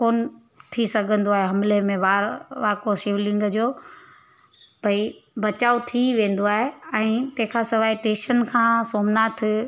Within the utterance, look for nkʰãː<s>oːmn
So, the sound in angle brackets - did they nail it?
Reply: yes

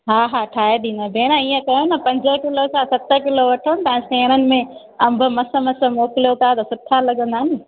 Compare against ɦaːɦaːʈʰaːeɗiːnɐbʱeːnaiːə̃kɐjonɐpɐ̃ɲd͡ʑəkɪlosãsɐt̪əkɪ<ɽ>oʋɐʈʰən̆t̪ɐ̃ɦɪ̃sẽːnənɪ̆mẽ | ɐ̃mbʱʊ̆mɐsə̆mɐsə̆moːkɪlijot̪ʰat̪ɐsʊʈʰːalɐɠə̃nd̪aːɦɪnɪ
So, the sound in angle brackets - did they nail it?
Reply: no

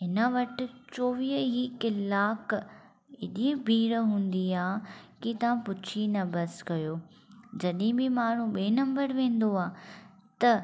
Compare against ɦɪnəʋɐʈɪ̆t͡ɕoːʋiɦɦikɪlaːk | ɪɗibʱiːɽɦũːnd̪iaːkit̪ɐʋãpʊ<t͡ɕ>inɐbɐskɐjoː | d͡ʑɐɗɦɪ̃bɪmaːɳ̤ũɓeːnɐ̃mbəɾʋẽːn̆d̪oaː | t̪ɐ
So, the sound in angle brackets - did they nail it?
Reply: no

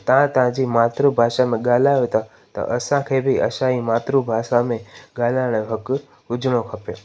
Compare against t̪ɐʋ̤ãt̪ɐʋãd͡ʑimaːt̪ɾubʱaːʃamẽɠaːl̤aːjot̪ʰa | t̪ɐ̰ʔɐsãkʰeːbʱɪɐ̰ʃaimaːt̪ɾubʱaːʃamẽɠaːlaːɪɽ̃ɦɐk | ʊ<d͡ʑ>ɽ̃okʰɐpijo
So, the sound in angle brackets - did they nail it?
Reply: yes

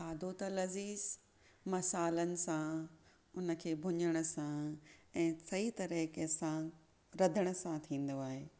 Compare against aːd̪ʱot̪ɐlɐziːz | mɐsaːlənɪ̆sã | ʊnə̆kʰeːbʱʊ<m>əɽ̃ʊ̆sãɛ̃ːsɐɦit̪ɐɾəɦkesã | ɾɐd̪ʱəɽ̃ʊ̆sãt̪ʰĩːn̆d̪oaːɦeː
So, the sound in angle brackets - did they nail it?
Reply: no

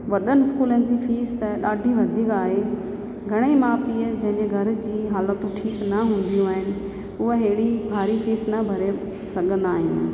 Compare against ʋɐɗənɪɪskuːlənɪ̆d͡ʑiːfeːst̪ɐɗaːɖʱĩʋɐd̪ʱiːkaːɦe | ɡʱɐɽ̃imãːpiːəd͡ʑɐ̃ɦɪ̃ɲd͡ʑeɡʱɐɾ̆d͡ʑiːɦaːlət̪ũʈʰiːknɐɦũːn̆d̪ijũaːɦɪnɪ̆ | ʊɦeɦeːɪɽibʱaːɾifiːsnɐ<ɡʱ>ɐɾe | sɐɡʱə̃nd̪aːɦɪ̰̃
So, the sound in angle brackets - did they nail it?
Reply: no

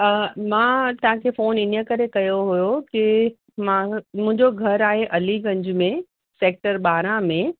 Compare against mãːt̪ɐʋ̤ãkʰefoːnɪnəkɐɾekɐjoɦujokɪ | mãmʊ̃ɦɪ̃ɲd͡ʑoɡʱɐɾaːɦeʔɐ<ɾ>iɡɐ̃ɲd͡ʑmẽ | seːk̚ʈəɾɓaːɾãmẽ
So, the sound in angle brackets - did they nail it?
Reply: no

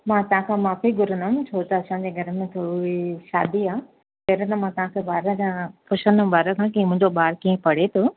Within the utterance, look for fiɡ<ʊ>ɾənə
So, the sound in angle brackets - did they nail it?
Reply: yes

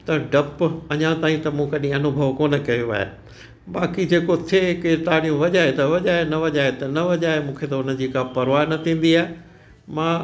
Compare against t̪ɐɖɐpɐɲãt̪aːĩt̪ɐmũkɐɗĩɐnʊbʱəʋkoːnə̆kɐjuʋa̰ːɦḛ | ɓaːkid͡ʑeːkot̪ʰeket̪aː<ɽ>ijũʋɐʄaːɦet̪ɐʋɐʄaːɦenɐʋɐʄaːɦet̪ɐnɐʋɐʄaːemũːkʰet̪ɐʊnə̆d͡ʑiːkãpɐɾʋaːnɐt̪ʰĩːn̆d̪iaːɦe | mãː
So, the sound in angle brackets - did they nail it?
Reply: yes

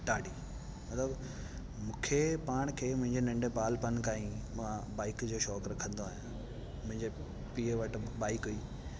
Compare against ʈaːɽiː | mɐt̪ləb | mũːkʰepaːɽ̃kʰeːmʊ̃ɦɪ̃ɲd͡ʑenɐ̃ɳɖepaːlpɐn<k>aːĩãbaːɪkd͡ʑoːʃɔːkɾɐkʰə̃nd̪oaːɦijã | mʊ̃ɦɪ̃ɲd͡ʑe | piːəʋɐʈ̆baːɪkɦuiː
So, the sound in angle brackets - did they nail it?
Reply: yes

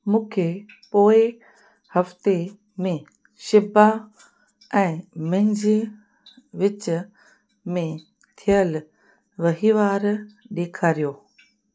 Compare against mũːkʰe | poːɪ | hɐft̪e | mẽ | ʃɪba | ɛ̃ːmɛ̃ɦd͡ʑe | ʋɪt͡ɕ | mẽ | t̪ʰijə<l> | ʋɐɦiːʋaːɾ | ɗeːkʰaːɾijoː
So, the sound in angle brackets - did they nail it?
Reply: yes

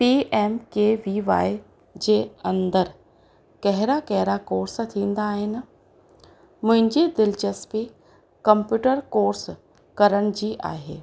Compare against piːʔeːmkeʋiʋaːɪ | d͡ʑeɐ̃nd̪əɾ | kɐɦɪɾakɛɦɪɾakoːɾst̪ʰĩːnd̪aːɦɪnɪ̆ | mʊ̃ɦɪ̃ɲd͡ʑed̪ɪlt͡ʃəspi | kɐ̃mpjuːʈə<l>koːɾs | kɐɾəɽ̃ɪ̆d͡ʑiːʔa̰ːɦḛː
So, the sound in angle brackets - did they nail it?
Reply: no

